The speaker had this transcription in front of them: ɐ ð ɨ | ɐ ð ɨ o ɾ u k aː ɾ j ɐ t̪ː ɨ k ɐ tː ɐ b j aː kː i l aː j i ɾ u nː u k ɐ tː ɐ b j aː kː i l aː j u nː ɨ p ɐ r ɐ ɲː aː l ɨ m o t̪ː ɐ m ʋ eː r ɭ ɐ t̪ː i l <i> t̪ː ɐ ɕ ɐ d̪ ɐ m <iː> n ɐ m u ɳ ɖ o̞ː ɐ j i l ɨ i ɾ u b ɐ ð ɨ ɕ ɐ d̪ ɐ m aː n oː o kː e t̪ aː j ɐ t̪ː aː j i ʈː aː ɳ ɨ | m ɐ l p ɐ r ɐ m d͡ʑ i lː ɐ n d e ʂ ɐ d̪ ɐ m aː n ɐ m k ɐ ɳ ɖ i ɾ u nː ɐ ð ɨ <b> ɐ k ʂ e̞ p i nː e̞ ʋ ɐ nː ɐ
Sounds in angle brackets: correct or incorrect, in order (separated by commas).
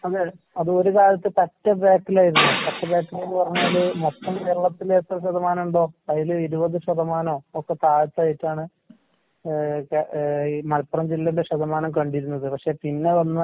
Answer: incorrect, incorrect, incorrect